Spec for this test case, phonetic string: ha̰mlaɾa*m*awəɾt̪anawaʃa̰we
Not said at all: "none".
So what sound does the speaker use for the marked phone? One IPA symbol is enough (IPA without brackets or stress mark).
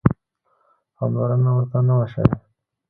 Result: n